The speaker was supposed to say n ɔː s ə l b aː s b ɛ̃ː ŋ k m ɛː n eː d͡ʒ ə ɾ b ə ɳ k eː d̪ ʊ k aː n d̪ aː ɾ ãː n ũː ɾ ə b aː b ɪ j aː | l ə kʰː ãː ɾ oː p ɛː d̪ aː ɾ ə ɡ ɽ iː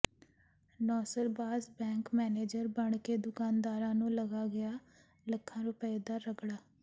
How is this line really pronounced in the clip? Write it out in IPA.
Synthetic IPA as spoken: n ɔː s ə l b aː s b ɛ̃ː ŋ k m ɛː n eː d͡ʒ ə ɾ b ə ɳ k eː d̪ ʊ k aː n d̪ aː ɾ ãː n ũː l ə ɡ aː ɡ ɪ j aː | l ə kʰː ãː ɾ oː p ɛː d̪ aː ɾ ə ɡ ɽ aː